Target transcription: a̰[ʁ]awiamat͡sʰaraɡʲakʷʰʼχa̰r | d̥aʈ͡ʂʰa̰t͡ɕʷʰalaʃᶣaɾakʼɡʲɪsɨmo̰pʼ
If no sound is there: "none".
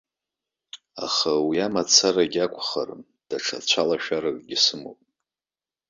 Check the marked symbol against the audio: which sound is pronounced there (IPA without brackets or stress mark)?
χ